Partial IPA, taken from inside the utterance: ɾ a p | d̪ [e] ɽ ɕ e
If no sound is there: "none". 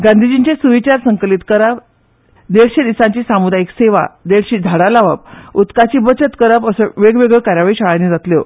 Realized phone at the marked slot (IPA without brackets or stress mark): e